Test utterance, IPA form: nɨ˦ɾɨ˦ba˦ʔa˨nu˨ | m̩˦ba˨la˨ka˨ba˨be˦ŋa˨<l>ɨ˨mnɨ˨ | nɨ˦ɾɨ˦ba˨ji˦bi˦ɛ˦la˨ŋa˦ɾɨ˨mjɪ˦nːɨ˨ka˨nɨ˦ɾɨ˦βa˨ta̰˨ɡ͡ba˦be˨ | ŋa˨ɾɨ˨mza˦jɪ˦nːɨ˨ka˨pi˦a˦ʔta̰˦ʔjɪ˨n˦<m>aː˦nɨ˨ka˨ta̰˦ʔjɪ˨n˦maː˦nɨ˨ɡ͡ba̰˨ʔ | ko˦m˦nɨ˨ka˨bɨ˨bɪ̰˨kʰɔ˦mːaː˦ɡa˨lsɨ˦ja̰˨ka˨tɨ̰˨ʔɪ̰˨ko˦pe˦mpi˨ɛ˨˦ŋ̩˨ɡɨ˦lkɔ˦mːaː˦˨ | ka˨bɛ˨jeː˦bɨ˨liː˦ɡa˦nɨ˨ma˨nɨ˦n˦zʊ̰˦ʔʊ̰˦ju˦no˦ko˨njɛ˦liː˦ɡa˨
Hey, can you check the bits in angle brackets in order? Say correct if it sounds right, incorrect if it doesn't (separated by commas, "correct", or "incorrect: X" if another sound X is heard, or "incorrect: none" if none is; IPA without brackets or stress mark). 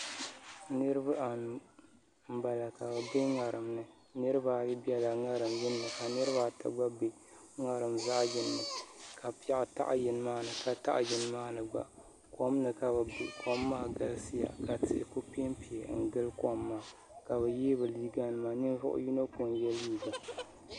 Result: incorrect: ɾ, correct